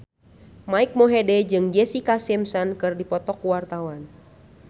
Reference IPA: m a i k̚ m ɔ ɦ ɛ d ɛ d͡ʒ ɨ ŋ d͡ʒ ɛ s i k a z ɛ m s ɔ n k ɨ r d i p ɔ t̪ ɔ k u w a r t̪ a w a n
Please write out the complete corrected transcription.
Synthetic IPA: m a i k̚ m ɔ ɦ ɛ d ɛ d͡ʒ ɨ ŋ d͡ʒ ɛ s i k a s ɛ m s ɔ n k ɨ r d i p ɔ t̪ ɔ k u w a r t̪ a w a n